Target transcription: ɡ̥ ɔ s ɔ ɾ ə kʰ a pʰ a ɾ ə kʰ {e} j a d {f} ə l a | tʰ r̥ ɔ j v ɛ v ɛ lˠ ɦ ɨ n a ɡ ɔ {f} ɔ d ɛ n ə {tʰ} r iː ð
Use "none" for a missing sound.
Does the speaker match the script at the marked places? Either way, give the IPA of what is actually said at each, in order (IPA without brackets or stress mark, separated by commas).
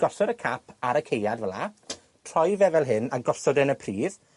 e, v, s, pʰ